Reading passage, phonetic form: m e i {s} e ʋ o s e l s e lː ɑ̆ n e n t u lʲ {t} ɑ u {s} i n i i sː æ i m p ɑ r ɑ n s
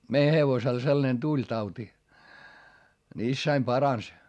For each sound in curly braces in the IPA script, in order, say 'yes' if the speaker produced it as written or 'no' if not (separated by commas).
no, yes, no